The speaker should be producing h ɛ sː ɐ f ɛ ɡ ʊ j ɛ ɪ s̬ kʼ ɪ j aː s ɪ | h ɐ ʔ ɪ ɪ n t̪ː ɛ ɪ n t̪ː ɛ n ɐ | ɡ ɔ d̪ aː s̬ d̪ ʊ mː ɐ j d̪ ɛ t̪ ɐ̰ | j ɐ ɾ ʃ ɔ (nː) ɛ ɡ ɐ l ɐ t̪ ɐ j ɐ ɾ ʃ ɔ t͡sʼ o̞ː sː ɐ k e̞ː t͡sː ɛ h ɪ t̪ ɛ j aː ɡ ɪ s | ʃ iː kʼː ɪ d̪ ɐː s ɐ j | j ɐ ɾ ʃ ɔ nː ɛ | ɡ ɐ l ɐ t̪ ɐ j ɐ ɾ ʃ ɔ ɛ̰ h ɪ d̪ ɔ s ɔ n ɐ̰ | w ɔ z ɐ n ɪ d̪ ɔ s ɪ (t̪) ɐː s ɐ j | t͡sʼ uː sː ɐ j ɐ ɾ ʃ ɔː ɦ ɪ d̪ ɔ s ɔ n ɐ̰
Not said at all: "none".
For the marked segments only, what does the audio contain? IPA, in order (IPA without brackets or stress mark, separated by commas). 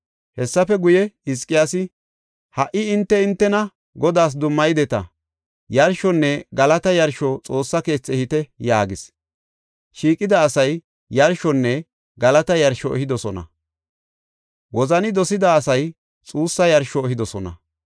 nː, d̪